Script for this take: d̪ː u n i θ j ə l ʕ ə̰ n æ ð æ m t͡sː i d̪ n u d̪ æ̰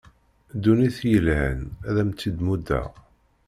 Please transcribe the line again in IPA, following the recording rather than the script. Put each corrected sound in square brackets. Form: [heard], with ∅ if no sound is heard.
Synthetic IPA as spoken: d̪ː u n i θ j ə l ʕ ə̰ n æ ð æ m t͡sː i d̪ [m] u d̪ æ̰